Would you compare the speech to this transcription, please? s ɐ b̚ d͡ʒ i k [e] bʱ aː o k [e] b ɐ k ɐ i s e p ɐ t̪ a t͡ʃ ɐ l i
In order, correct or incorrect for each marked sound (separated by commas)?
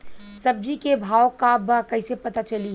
correct, incorrect